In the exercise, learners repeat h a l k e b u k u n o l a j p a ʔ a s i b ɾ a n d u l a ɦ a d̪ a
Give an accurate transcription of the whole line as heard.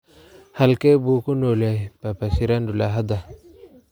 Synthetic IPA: h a l k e b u k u n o l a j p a p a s i ɾ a n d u l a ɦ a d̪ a

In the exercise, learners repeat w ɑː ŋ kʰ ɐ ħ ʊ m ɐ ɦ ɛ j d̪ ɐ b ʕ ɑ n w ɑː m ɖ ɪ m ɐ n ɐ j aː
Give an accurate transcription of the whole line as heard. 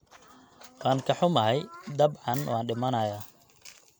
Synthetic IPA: w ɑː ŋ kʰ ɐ ħ ʊ m ɐ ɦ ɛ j d̪ ɐ b ʕ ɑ n w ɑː n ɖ ɪ m ɐ n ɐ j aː

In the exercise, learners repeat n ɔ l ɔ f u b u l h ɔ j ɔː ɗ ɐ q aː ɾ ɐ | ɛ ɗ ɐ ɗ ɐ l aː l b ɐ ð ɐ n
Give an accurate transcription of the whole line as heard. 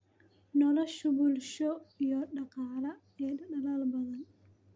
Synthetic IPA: n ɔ l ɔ ʃ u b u l ʃ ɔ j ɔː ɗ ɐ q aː l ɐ | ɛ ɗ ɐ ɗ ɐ l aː l b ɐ ð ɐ n

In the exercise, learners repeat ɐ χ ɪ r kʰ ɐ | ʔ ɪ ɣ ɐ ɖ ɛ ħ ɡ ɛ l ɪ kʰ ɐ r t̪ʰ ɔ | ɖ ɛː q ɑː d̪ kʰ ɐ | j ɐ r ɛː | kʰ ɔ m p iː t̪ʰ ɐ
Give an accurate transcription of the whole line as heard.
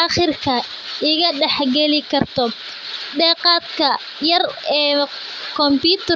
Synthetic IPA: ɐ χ ɪ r kʰ ɐ | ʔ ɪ ɣ ɐ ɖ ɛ ħ ɡ ɛ l ɪ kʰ ɐ r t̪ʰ ɔ | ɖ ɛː q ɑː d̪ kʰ ɐ | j ɐ r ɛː | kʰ ɔ m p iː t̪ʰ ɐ

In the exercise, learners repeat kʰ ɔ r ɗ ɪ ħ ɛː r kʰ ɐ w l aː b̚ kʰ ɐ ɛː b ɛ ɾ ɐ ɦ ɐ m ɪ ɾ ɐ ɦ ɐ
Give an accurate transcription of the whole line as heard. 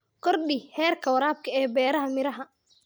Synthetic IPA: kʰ ɔ r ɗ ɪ h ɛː r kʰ ɐ w ɾ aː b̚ kʰ ɐ ɛː b ɛː ɾ ɐ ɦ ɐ m ɪ ɾ ɐ ɦ ɐ

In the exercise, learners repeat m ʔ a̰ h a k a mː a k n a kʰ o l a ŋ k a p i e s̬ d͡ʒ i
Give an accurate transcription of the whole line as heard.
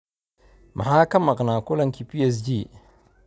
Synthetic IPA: m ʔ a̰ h a k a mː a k n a k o l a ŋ k i p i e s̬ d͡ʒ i

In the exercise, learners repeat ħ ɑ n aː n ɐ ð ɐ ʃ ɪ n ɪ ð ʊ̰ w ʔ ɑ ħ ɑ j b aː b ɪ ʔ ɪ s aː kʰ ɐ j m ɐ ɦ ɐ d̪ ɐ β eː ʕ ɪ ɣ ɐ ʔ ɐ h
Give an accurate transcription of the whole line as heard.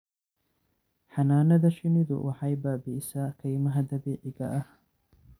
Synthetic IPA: ħ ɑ n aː n ɐ ð ɐ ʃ ɪ n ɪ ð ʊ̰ w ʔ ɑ ħ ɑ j b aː b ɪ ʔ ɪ s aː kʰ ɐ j m ɐ ɦ ɐ d̪ ɐ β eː ʕ ɪ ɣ ɐ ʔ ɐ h

